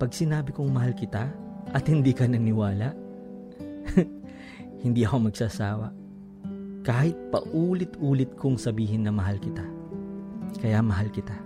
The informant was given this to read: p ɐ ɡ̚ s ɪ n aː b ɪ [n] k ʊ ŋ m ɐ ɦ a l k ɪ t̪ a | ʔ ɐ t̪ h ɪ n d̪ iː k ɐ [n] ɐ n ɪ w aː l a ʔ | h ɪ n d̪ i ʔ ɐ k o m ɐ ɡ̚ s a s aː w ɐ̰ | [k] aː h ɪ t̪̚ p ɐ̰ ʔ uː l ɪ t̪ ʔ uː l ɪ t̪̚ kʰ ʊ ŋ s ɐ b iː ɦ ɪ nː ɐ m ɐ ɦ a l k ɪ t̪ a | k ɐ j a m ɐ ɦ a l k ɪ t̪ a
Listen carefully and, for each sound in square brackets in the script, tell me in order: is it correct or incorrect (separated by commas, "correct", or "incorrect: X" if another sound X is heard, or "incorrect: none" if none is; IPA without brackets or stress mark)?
incorrect: none, correct, correct